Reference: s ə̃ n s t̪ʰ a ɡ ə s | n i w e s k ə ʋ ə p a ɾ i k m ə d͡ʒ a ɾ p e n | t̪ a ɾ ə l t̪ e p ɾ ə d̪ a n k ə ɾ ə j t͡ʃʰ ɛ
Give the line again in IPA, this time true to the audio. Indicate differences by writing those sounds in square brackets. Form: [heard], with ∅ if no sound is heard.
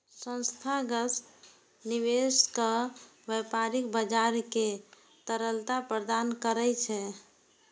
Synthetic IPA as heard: s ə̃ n s t̪ʰ a ɡ ə s | n i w e s k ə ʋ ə p a ɾ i k [b] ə d͡ʒ a ɾ [k] e [∅] | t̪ [ə] ɾ ə l t̪ [a] p ɾ ə d̪ a n k ə ɾ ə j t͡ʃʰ ɛ